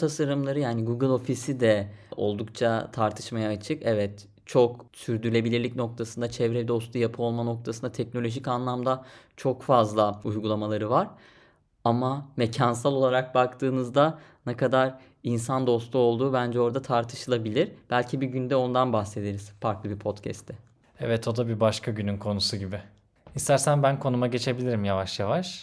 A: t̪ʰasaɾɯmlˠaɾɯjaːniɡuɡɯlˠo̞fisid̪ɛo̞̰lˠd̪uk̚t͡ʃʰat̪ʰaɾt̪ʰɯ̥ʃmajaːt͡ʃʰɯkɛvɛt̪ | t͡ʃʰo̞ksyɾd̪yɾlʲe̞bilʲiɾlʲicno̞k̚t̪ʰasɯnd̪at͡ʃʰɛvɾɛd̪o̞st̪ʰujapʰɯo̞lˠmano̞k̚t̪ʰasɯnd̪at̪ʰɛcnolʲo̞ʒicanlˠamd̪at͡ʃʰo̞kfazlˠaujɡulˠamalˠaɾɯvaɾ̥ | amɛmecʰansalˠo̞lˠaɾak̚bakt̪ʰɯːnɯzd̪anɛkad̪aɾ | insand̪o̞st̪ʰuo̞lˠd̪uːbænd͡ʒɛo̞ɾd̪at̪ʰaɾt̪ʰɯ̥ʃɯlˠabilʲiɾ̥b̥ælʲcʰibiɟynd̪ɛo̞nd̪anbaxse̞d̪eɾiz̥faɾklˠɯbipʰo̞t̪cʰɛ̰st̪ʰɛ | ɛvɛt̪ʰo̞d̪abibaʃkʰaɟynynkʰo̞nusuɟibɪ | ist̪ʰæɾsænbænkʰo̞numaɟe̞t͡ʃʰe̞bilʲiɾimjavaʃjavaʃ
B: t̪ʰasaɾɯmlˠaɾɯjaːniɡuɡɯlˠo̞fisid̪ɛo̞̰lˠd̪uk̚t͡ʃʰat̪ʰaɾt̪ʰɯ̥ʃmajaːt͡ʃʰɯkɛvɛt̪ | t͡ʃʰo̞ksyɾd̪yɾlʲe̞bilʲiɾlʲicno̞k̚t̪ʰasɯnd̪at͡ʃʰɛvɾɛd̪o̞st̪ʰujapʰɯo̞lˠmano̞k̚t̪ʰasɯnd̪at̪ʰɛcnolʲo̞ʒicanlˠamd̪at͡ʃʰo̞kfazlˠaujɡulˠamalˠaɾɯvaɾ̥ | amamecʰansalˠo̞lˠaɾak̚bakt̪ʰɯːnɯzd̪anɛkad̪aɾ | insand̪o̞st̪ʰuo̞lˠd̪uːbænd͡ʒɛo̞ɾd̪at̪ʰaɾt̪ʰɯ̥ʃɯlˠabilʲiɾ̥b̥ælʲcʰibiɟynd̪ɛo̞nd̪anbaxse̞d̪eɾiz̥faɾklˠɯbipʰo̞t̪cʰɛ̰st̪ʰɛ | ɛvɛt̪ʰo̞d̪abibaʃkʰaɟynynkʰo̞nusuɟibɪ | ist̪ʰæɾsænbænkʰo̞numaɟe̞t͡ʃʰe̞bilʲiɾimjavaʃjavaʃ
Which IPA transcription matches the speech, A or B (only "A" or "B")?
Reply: B